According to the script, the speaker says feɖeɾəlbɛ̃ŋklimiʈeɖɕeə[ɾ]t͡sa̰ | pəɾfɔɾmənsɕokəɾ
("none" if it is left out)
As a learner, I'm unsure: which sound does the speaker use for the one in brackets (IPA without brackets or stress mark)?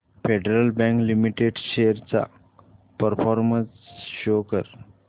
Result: ɾ